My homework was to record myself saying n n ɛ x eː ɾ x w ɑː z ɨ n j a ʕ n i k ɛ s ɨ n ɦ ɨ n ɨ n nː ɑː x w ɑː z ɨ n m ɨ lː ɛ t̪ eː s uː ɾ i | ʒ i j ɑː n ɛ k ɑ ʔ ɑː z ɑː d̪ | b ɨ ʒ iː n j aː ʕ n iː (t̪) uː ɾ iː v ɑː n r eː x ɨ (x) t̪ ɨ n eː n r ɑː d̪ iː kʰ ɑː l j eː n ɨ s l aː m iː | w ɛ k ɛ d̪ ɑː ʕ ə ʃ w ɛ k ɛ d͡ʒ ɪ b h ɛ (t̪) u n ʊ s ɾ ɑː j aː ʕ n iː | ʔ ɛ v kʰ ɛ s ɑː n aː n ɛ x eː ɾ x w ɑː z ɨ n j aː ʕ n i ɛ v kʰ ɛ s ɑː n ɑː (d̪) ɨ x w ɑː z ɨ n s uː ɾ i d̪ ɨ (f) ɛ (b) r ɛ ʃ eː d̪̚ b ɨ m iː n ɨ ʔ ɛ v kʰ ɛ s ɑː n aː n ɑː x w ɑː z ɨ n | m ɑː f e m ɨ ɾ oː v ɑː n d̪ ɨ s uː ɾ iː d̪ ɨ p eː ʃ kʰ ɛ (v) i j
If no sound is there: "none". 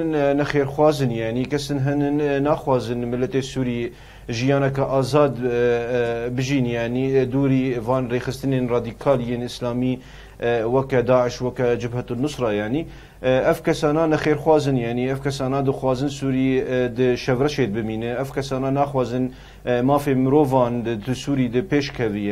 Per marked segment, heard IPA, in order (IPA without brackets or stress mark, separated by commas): d̪, s, t̪, d̪, ʃ, v, v